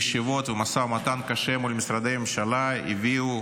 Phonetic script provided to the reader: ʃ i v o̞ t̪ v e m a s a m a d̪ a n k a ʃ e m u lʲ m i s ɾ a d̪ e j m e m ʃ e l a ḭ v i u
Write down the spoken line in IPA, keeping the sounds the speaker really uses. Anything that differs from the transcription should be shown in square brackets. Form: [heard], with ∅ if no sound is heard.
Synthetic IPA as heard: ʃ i v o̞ t̪ v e m a s a m a [t̪] a n k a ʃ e m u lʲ m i s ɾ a d̪ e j m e m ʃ [a] l a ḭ v i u